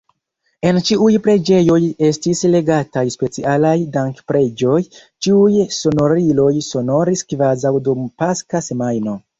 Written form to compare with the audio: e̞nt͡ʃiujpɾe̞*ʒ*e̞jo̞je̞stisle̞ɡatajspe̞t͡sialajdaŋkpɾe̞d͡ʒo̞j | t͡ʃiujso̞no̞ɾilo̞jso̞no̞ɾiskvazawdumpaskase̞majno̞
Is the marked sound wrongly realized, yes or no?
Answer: yes